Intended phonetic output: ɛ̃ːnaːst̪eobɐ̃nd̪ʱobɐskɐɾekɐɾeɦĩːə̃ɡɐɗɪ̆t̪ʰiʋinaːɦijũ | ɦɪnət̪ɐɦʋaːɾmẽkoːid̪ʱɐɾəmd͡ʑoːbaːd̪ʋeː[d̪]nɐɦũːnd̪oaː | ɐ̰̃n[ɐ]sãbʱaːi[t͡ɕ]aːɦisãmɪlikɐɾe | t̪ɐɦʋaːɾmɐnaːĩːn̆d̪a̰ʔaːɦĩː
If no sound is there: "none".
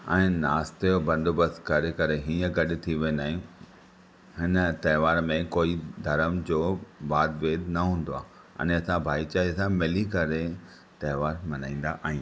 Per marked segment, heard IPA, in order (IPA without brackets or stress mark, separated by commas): d̪, ɐ, t͡ɕ